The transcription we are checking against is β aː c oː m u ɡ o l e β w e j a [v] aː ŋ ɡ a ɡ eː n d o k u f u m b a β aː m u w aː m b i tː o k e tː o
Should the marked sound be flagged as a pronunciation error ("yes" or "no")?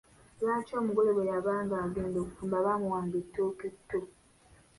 yes